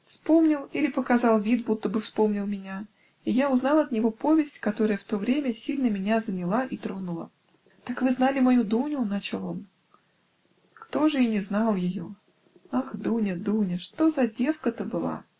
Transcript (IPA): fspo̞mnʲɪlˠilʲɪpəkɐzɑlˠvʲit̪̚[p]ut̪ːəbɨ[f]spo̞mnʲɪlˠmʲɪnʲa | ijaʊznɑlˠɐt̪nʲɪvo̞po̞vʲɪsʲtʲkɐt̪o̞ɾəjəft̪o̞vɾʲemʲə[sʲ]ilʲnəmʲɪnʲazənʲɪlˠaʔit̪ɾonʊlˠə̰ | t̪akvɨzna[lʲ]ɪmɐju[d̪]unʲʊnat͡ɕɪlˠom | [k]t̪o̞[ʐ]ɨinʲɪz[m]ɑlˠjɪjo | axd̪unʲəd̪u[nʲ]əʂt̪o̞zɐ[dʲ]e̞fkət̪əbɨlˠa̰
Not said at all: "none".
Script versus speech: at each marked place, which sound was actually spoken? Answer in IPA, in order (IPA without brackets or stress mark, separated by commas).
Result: b, f, sʲ, lʲ, d̪, k, ʐ, n, nʲ, dʲ